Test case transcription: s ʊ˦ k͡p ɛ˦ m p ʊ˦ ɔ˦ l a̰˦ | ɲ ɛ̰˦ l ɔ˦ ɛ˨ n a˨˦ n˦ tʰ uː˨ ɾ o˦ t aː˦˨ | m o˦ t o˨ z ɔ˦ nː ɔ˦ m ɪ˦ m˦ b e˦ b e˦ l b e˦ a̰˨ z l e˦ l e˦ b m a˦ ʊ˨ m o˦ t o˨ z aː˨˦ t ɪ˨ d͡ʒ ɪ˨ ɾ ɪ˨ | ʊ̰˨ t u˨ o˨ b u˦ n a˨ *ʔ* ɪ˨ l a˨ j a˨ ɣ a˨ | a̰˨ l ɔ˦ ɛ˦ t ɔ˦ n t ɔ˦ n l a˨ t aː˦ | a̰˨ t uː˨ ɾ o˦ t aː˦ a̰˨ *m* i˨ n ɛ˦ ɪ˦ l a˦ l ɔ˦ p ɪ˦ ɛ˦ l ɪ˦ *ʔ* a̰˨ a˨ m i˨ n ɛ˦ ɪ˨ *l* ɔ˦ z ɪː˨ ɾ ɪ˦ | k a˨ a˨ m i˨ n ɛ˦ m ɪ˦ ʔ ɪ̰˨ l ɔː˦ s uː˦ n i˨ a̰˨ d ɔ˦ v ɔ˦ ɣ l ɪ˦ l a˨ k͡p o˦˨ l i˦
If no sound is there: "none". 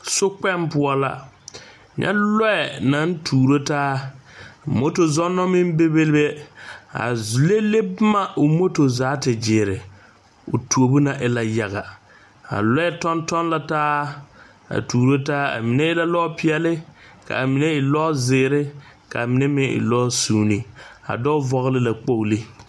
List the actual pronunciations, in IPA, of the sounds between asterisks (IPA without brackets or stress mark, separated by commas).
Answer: ʔ, m, k, l